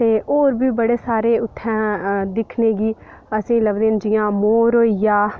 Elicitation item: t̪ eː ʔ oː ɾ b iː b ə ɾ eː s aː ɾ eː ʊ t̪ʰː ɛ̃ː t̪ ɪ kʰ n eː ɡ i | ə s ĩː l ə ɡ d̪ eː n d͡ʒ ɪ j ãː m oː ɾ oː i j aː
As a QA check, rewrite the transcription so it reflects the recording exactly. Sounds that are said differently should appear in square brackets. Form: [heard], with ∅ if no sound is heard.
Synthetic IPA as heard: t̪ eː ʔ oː ɾ b iː b ə [ɽ] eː s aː ɾ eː ʊ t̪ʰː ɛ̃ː [d̪] ɪ kʰ n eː ɡ [iː] | ə s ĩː l ə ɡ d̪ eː n d͡ʒ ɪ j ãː m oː ɾ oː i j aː